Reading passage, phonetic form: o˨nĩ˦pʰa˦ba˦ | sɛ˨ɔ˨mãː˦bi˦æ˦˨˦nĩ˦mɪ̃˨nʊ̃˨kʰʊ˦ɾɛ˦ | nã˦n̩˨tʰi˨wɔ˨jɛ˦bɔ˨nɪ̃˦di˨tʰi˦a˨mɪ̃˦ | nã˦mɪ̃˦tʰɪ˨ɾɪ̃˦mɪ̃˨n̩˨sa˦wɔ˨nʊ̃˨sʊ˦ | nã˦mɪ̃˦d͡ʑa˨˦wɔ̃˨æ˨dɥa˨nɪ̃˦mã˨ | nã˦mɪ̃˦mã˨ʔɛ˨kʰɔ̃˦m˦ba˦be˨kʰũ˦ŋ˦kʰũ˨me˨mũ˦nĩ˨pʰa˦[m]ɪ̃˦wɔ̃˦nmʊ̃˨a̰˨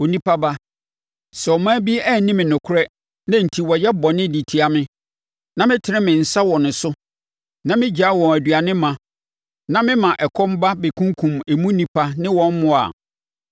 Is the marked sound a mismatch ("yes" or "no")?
yes